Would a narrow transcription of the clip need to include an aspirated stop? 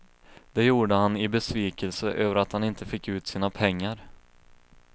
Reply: yes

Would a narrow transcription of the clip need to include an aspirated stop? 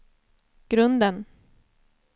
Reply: no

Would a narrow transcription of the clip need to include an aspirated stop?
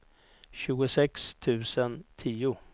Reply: yes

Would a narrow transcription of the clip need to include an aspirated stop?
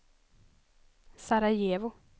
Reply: no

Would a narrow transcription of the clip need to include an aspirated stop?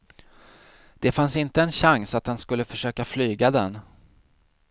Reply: no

